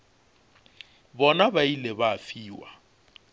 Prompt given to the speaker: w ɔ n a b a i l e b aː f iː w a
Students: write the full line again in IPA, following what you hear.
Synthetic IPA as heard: b ɔ n a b a i l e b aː f iː w a

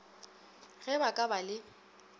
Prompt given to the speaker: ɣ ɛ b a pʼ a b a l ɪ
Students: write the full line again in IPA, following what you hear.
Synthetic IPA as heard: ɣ ɛ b a kʼ a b a l ɪ

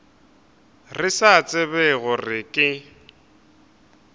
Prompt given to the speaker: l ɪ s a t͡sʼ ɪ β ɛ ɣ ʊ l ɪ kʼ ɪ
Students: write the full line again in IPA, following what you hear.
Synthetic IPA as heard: r ɪ s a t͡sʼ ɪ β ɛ ɣ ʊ r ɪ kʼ ɪ

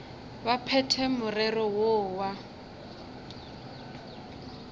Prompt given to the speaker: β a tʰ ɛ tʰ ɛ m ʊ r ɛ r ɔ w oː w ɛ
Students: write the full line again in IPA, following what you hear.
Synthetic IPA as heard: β a pʰ ɛ tʰ ɛ m ʊ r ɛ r ɔ w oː w a

